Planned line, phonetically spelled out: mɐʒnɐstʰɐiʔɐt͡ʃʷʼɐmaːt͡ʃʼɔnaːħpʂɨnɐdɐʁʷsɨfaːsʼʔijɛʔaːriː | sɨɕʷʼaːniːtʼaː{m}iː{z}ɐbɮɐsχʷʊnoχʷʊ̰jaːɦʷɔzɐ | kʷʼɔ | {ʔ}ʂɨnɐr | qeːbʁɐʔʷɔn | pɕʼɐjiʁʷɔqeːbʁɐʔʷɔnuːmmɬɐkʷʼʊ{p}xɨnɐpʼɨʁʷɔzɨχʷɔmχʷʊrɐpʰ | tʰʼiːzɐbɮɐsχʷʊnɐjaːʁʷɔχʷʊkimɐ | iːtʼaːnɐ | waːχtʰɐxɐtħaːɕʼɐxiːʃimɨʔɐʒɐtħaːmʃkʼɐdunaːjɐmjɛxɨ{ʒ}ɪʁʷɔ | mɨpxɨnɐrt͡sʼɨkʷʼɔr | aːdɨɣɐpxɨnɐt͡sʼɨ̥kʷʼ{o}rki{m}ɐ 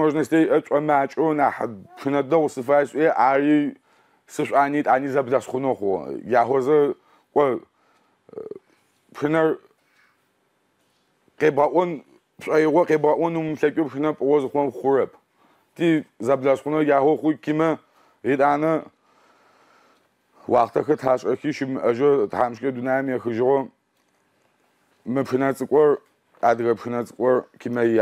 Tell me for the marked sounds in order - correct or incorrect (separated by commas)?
incorrect, correct, incorrect, correct, correct, incorrect, correct